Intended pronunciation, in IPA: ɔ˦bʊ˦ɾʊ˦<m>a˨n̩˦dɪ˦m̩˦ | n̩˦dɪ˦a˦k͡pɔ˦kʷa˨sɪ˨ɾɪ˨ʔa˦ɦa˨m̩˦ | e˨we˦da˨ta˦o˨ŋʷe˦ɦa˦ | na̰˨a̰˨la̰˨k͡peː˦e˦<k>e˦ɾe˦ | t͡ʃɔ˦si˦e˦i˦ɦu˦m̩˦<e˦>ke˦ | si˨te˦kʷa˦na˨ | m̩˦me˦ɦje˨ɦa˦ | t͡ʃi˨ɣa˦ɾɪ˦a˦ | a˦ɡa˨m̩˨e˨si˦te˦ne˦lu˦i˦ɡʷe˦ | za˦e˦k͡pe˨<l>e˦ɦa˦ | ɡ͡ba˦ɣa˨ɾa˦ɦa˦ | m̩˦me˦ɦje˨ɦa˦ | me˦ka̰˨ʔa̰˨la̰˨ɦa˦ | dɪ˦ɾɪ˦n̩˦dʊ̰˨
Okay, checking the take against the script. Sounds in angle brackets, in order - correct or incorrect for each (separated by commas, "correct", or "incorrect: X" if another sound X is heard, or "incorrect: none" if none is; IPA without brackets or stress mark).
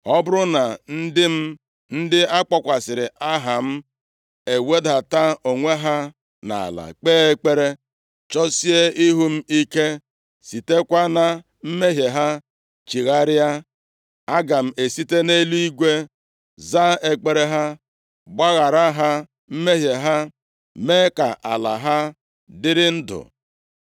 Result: incorrect: n, incorrect: k͡p, incorrect: i˦, incorrect: ɾ